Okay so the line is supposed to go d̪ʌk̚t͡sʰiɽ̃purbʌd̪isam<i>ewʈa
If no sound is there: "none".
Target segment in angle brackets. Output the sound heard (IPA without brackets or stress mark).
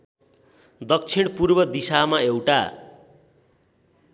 a